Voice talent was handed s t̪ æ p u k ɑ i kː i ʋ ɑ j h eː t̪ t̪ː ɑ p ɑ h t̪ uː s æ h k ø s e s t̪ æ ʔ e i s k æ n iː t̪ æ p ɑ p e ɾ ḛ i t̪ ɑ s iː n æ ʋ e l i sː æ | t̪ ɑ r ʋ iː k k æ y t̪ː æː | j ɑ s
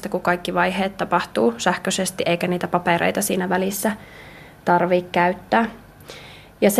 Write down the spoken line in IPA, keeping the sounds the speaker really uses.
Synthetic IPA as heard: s t̪ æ k u k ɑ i kː i ʋ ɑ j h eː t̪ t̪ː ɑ p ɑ h t̪ uː s æ h k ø s e s t̪ i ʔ e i k æ n iː t̪ æ p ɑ p e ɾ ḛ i t̪ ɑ s iː n æ ʋ æ l i sː æ | t̪ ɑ r ʋ iː k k æ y t̪ː æː | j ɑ s